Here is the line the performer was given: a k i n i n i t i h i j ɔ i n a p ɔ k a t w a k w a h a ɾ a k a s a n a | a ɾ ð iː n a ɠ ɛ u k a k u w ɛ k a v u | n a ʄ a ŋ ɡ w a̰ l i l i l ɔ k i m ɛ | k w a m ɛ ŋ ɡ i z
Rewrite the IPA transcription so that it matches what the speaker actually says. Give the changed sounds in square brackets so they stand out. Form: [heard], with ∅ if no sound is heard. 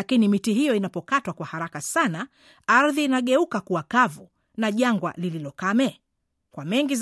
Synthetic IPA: a k i n i [m] i t i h i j ɔ i n a p ɔ k a t w a k w a h a ɾ a k a s a n a | a ɾ ð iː n a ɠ ɛ u k a k u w [a] k a v u | n a ʄ a ŋ ɡ w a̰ l i l i l ɔ k [a] m ɛ | k w a m ɛ ŋ ɡ i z